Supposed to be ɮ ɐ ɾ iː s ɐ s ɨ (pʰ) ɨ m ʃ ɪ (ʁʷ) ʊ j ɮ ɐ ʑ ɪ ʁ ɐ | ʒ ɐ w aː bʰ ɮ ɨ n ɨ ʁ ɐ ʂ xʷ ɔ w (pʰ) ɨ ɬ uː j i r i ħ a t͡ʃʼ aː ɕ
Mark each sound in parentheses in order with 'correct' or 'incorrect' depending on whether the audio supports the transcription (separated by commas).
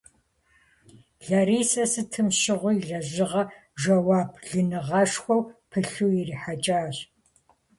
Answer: incorrect, correct, correct